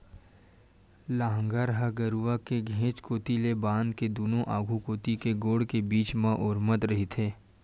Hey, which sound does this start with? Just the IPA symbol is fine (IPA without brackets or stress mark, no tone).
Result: l